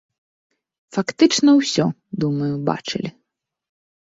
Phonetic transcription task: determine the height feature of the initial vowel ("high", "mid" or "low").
low